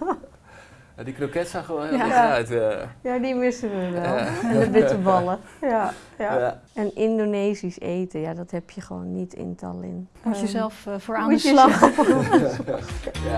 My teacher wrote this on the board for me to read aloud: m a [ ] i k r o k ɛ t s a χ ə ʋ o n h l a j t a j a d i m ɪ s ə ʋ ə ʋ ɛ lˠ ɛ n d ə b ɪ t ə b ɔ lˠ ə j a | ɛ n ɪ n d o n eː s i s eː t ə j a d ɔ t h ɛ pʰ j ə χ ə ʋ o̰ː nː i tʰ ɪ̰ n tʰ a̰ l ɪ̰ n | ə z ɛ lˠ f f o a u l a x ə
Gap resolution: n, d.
d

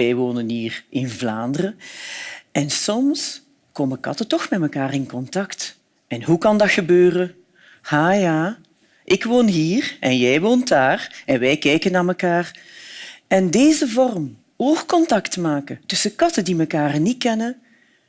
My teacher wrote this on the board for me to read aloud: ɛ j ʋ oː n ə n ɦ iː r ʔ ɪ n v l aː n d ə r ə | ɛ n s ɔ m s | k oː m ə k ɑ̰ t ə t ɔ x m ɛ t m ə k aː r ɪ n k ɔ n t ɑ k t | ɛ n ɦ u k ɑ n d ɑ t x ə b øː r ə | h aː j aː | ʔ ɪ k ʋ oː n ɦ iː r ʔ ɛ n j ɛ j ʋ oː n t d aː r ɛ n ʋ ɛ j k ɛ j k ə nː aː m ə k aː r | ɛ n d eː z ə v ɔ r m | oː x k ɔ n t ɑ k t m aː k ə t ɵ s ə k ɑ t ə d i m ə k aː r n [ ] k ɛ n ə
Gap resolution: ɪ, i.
i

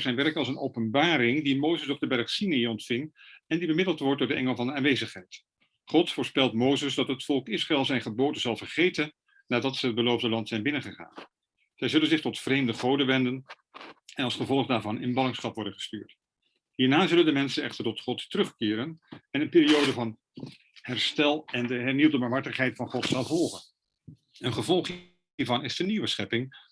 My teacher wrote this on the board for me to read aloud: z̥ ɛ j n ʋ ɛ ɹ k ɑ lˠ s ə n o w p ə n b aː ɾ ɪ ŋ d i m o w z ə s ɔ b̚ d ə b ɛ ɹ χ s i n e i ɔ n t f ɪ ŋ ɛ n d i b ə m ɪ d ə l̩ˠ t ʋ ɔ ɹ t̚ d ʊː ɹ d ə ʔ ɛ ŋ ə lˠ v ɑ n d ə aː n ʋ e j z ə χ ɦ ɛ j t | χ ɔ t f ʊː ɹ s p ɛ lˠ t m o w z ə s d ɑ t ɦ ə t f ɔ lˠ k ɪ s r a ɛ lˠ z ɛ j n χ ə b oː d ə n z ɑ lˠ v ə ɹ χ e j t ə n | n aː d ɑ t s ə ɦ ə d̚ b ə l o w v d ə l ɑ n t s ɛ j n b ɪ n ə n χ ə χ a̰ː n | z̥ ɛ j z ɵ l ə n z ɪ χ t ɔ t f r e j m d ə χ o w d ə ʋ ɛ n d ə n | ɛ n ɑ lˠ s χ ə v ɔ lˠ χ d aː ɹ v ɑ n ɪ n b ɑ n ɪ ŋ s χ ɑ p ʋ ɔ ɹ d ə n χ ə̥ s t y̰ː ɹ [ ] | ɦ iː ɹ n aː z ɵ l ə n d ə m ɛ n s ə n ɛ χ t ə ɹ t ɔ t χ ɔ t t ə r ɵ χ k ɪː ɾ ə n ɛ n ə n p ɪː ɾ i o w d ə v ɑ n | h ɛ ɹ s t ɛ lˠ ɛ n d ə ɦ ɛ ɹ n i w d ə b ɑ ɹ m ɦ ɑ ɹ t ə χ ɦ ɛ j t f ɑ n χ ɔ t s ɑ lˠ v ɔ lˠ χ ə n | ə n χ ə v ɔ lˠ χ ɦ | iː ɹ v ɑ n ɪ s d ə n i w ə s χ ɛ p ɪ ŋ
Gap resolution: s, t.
t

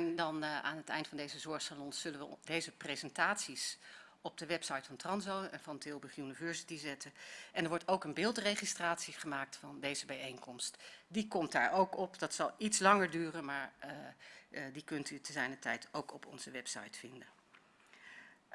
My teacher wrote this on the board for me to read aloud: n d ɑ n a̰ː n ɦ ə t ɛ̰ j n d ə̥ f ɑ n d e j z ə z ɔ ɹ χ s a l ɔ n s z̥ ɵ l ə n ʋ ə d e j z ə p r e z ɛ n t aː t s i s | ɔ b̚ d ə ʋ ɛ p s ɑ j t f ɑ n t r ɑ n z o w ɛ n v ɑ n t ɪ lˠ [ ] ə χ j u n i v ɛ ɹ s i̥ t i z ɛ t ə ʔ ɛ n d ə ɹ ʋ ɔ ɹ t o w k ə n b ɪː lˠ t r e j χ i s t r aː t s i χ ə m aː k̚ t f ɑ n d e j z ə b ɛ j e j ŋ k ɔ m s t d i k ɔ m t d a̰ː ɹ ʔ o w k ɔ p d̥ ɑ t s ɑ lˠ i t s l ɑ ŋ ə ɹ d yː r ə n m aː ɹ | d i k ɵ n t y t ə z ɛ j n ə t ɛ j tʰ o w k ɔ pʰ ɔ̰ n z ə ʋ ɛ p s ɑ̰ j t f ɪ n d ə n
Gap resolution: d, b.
b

